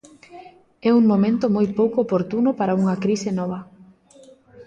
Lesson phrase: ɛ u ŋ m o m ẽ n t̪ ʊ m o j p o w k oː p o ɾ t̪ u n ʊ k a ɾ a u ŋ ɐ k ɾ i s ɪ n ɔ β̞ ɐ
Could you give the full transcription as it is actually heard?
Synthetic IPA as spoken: ɛ u ŋ m o m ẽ n t̪ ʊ m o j p o w k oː p o ɾ t̪ u n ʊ p a ɾ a u ŋ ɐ k ɾ i s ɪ n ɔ β̞ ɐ